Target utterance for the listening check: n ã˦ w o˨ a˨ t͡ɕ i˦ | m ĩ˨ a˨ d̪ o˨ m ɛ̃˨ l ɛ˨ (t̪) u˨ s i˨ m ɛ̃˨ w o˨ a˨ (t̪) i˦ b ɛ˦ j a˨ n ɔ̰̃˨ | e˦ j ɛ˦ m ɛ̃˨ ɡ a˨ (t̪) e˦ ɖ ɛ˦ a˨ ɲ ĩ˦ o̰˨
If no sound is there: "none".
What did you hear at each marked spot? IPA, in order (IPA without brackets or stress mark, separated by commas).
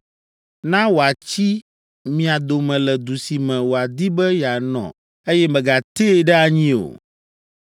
d̪, d̪, t̪